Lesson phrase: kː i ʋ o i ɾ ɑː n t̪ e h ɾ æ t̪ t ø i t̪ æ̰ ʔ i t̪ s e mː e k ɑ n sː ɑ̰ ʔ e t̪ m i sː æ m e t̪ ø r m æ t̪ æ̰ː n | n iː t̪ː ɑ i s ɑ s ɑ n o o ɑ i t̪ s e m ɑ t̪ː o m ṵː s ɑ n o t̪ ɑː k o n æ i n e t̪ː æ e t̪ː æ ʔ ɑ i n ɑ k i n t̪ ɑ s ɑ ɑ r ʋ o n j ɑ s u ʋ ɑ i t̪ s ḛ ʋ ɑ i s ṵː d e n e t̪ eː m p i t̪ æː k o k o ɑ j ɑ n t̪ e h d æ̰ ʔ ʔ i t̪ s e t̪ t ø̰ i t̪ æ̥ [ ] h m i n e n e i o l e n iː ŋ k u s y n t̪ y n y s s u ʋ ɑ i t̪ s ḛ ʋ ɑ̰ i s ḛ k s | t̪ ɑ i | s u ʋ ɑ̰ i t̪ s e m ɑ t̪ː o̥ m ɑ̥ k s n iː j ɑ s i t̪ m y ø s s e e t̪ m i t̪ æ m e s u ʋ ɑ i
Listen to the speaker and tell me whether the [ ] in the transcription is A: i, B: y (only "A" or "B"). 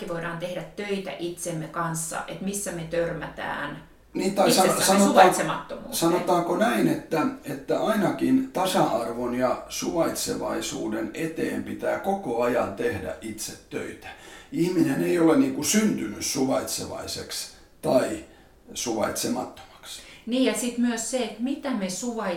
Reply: A